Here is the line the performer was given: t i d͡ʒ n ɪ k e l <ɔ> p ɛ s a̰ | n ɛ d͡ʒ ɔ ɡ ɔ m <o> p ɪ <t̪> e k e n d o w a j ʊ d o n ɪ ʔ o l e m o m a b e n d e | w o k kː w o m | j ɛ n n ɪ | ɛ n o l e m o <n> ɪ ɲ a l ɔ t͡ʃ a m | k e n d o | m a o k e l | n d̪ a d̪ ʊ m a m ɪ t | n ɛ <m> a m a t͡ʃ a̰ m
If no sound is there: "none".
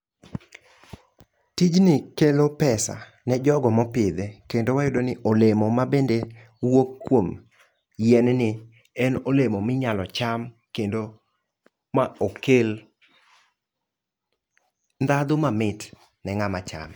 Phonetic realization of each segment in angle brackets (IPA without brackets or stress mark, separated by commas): o, ɔ, d̪, m, ŋ